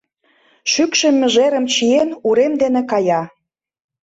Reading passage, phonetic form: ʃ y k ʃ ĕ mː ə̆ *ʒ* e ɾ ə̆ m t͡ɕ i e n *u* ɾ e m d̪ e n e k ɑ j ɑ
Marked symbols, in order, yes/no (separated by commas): yes, yes